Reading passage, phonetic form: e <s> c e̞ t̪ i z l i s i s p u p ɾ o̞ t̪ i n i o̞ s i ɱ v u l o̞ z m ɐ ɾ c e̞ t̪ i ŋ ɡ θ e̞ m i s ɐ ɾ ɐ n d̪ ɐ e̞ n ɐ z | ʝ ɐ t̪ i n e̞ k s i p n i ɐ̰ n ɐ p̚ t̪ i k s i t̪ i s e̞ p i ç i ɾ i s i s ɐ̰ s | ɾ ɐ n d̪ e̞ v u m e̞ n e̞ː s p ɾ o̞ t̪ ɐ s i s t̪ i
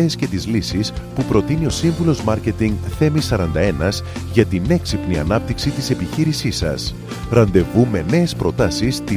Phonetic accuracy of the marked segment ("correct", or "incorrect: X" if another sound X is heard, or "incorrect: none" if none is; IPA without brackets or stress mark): correct